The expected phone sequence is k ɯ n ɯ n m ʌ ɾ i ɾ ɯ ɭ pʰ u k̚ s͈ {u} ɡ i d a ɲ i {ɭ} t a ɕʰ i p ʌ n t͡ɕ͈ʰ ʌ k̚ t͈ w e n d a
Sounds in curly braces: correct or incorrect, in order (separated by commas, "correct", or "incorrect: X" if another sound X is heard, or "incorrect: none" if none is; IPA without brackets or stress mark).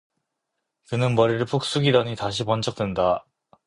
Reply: correct, incorrect: none